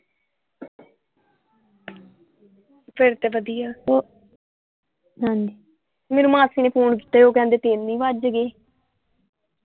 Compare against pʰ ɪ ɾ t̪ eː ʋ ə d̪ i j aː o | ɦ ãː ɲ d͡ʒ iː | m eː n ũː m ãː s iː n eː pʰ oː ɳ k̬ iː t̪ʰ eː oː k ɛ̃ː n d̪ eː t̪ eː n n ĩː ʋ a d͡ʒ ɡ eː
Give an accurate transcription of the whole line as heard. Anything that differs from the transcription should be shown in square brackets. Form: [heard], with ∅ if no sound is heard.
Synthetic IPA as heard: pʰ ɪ ɾ t̪ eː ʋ ə d̪ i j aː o | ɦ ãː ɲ d͡ʒ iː | m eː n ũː m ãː s iː n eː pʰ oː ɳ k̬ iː [t̪] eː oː k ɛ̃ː n d̪ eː t̪ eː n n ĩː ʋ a d͡ʒ ɡ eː

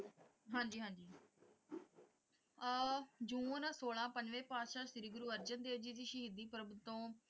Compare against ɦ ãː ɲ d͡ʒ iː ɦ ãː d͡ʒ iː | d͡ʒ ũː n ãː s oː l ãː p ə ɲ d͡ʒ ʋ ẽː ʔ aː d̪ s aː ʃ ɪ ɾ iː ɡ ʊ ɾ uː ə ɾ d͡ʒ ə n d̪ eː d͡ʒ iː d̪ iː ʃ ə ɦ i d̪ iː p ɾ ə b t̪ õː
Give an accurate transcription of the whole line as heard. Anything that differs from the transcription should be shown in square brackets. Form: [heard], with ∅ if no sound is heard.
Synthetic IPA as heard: ɦ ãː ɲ d͡ʒ iː ɦ ãː d͡ʒ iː | d͡ʒ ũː n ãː s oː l ãː p ə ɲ d͡ʒ ʋ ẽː [p] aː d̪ [ʃ] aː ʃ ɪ ɾ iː ɡ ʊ ɾ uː ə ɾ d͡ʒ ə n d̪ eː d͡ʒ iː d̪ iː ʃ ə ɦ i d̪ iː p ɾ ə b t̪ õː

